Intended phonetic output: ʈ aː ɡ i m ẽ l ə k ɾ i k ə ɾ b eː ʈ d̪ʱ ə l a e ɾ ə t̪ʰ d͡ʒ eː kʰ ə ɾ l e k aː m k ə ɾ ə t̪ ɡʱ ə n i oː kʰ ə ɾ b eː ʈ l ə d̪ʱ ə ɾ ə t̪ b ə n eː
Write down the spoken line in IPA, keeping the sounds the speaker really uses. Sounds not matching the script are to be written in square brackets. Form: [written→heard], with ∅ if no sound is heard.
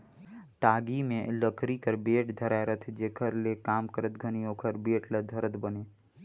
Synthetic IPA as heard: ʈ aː ɡ i m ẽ l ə k ɾ i k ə ɾ b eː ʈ d̪ʱ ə [l→ɾ] a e ɾ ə t̪ʰ d͡ʒ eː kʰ ə ɾ l e k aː m k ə ɾ ə t̪ ɡʱ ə n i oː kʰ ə ɾ b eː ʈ l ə d̪ʱ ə ɾ ə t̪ b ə n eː